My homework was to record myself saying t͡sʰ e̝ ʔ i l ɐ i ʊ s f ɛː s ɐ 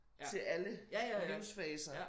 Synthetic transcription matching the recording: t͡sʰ e̝ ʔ æ l ə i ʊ s f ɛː s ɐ